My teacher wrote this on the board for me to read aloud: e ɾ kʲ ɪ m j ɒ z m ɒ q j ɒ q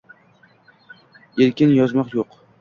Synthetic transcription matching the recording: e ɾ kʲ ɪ n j ɒ z m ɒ q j o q